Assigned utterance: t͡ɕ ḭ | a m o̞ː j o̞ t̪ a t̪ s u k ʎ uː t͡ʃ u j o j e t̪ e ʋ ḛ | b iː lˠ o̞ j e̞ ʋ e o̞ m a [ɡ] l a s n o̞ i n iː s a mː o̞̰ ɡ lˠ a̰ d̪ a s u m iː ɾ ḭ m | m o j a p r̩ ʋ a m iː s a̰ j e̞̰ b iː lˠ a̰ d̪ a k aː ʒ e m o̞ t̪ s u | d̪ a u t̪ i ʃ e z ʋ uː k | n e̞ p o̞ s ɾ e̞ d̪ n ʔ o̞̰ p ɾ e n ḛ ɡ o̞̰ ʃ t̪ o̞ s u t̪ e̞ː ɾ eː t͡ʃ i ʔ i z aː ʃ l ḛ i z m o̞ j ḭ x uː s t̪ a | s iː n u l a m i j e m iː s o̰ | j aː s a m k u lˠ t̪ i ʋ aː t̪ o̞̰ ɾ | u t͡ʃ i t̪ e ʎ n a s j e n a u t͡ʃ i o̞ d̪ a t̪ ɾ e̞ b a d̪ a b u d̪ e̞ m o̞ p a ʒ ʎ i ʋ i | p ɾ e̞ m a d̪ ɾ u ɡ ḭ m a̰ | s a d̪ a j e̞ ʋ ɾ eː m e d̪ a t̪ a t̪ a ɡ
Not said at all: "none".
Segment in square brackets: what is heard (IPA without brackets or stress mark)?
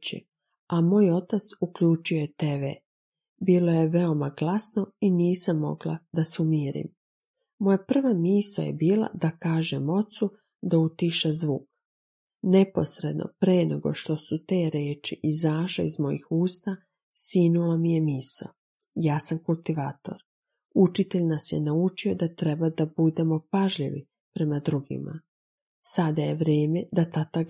ɡ